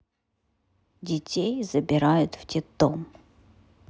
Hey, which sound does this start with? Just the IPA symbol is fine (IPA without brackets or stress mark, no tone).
dʲ